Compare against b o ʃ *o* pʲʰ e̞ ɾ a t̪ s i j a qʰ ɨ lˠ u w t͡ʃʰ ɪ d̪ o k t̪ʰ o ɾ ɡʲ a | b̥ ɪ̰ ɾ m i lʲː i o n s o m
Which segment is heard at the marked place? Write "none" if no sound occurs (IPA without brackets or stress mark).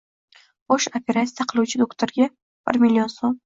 o